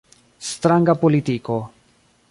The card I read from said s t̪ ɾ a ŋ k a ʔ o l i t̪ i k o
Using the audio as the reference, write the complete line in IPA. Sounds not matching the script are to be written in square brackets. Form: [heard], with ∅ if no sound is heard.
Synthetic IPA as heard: s t̪ ɾ a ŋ [ɡ] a [p] o l i t̪ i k o